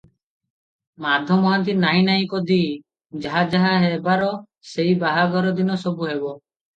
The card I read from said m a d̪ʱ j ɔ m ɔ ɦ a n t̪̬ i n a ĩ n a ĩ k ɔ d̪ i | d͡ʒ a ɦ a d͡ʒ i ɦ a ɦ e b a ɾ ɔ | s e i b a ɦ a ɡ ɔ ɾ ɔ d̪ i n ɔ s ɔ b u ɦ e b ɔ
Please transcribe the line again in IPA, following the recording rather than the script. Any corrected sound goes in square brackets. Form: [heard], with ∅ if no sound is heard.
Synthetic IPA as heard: m a d̪ʱ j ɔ m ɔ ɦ a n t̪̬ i n a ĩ n a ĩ k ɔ d̪ i | d͡ʒ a ɦ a d͡ʒ [a] ɦ a ɦ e b a ɾ ɔ | s e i b a ɦ a ɡ ɔ ɾ ɔ d̪ i n ɔ s ɔ b u ɦ e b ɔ